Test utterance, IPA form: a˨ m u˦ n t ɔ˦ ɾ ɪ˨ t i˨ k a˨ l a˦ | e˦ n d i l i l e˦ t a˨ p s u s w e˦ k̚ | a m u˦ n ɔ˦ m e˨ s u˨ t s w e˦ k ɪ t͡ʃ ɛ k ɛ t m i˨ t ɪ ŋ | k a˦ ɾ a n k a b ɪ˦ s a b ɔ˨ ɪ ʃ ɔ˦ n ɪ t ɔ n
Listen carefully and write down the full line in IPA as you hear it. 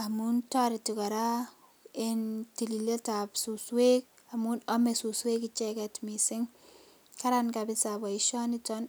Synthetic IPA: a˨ m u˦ n t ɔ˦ ɾ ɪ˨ t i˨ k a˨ ɾ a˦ | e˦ n t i l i l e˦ t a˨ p s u s w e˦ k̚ | a m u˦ n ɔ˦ m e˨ s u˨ s w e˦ k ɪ t͡ʃ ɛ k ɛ t m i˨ s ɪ ŋ | k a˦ ɾ a n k a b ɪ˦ s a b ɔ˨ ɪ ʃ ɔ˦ n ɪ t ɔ n